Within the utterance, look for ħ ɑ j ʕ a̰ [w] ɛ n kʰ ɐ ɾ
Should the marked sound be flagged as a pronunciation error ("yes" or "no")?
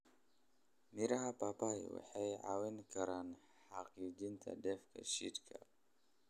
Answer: no